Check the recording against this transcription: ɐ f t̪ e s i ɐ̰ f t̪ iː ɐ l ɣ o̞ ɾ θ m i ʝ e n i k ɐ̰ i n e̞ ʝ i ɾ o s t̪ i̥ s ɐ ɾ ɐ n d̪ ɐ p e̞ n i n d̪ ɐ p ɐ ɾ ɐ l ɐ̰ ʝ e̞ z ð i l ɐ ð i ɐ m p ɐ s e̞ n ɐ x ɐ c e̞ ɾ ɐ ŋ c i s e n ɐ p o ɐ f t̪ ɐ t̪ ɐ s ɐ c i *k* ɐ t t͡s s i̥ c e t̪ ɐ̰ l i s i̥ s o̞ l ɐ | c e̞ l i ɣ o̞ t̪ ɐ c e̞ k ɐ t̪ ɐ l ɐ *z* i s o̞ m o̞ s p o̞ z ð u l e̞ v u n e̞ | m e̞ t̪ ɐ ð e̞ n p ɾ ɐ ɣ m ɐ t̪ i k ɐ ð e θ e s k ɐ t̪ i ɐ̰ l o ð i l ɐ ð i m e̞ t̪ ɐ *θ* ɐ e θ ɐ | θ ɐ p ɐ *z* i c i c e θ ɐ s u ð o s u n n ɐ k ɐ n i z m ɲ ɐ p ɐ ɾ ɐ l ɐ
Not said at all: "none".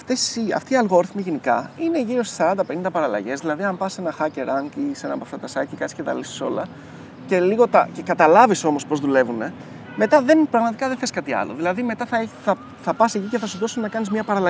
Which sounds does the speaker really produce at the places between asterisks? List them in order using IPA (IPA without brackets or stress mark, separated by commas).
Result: k, v, θ, s